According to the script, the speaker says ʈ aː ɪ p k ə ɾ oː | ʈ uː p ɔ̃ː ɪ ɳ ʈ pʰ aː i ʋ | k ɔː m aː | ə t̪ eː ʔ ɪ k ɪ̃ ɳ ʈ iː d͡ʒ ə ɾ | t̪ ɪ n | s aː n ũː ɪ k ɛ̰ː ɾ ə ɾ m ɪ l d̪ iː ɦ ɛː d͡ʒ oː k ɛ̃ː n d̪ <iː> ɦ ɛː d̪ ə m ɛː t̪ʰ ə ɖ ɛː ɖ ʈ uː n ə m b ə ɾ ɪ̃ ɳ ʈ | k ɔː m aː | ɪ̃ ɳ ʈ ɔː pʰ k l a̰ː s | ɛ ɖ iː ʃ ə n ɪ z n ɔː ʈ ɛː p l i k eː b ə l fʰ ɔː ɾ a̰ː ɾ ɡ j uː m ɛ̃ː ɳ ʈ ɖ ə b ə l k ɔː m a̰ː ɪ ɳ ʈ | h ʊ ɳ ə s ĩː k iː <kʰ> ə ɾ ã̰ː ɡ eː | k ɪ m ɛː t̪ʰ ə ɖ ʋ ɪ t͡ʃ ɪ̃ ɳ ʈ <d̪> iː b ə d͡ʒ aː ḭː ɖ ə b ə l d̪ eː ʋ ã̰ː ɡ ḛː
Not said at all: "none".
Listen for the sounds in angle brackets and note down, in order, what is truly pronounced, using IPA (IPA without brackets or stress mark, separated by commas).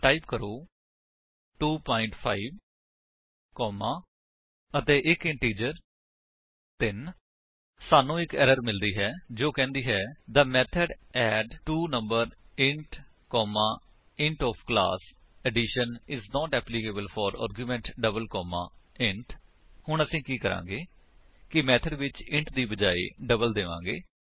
iː, k, d̪